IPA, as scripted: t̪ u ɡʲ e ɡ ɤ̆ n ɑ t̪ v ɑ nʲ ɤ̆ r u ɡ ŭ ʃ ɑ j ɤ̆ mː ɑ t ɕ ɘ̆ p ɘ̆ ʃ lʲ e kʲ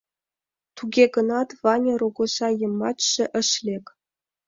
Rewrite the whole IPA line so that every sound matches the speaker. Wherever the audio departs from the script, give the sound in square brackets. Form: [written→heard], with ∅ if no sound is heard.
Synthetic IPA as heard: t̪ u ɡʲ e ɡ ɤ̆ n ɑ t̪ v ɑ nʲ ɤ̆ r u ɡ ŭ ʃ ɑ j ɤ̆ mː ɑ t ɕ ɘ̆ [p→ʔ] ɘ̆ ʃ lʲ e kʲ